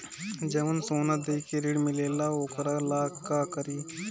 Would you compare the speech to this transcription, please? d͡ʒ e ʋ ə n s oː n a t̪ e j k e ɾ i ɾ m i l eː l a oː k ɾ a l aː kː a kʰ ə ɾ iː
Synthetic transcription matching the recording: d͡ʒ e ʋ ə n s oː n a d̪ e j k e ɾ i ɽ m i l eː l a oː k ɾ a l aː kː a k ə ɾ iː

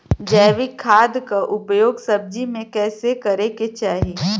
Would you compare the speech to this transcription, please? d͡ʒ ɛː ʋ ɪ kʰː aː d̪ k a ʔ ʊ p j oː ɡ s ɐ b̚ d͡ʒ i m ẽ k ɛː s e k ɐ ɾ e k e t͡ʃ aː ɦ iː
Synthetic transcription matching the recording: d͡ʒ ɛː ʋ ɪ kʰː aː d̪ k a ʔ ʊ p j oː ɡ s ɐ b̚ d͡ʒ i m ẽ k ɛː s e k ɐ ɾ e k e t͡ʃ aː ɦ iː

